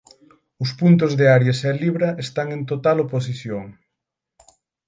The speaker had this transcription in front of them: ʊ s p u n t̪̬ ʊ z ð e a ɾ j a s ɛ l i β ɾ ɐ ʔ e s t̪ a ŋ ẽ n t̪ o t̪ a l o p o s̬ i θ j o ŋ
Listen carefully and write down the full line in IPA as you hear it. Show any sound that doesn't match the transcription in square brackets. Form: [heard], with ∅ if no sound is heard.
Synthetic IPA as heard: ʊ s p u n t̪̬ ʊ z ð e a ɾ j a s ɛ l i β ɾ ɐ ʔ e s t̪ a ŋ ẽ n t̪ o t̪ a l o p o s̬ i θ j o ŋ